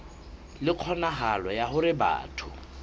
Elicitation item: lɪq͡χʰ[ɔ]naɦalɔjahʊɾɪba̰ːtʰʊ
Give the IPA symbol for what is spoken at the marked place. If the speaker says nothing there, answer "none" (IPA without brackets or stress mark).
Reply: ɔ